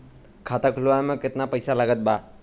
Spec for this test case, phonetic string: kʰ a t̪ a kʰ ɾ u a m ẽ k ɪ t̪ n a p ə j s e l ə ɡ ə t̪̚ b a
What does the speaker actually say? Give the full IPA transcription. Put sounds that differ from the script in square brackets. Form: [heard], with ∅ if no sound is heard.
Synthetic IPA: kʰ a t̪ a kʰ [l] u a m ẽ k ɪ t̪ n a p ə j s [a] l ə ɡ ə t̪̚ b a